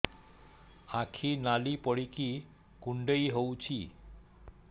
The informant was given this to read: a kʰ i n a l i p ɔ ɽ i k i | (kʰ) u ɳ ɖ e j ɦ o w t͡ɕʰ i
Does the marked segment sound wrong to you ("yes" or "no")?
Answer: yes